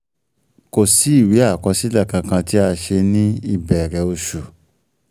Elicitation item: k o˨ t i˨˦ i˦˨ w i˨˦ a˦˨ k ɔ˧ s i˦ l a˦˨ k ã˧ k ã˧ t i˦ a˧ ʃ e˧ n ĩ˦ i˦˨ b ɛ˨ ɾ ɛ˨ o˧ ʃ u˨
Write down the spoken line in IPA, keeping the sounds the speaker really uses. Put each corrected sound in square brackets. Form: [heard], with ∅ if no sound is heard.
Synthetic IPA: k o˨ [s] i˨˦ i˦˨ w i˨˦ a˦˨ k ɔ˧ s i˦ l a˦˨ k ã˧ k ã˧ t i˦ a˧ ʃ e˧ n ĩ˦ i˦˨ b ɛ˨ ɾ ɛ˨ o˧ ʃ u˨